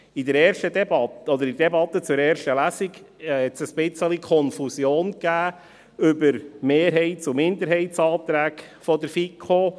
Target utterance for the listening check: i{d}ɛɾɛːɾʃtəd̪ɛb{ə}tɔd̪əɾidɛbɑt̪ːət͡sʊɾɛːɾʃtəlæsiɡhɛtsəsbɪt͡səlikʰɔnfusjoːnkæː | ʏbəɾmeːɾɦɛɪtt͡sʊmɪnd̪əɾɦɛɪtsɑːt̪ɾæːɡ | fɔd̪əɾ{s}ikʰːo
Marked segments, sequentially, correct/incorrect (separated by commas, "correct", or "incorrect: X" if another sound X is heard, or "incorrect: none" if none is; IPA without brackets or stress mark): correct, incorrect: ɑ, incorrect: f